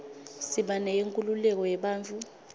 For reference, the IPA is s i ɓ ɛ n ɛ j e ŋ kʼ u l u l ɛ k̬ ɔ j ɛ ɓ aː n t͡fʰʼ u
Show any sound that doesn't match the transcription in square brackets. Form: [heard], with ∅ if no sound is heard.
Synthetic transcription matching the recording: s i ɓ [a] n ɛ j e ŋ kʼ u l u l ɛ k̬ ɔ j ɛ ɓ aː n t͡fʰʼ u